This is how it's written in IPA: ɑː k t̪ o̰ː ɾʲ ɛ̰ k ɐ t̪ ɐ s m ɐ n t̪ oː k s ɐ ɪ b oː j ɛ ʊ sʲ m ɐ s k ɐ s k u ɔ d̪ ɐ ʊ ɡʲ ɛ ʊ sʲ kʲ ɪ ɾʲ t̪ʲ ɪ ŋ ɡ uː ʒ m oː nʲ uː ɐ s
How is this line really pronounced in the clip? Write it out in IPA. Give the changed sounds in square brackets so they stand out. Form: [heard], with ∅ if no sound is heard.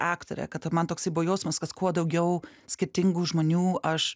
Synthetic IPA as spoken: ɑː k t̪ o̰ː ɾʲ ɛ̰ k ɐ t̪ ɐ [∅] m ɐ n t̪ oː k s ɐ ɪ b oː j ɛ ʊ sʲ m ɐ s k ɐ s k u ɔ d̪ ɐ ʊ ɡʲ ɛ ʊ sʲ kʲ ɪ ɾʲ t̪ʲ ɪ ŋ ɡ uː ʒ m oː nʲ uː ɐ [ʃ]